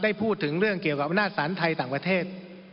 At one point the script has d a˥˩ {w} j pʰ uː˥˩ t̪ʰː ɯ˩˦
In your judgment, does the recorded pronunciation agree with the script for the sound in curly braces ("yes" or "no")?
no